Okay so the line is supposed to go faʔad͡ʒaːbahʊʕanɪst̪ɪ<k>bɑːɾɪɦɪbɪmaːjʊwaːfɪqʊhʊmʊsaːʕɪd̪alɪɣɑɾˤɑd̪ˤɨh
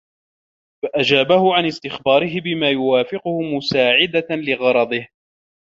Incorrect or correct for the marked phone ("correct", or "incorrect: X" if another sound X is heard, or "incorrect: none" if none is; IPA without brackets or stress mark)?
incorrect: x